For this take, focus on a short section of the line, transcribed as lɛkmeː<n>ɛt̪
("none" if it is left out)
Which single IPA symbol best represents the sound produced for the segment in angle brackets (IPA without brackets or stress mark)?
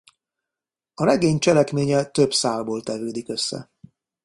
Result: ɲ